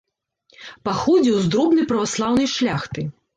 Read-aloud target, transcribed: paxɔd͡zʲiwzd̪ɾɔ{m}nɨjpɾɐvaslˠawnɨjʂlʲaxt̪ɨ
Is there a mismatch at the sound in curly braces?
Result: yes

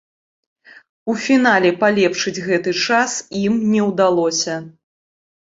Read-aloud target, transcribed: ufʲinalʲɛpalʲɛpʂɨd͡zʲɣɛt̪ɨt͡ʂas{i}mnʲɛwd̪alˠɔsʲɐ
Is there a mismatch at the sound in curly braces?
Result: no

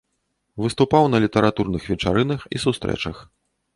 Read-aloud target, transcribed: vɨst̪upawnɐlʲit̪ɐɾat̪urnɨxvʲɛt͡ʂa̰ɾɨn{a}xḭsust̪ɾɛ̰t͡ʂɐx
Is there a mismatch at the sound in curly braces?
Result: yes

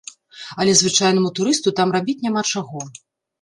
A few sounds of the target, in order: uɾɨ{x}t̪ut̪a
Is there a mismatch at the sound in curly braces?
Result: yes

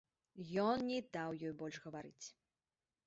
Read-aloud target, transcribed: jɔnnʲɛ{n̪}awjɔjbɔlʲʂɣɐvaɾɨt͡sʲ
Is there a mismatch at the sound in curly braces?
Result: yes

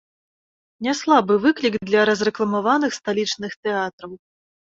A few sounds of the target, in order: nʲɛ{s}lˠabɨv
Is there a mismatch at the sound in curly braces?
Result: no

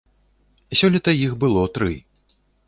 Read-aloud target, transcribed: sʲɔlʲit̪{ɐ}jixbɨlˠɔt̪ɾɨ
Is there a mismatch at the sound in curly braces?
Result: no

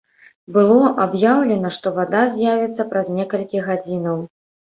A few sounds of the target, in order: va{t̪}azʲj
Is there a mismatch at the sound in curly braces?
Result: yes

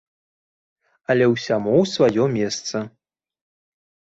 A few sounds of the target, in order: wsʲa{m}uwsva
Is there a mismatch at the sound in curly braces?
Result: no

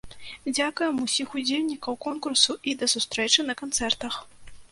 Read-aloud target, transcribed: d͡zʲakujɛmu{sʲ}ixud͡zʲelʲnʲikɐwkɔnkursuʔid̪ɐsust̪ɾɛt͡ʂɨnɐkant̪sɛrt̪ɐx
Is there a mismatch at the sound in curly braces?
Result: no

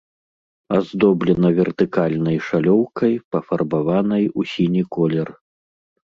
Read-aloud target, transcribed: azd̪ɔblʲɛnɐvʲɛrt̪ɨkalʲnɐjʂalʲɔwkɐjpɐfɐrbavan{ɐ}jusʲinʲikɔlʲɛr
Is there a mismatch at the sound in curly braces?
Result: no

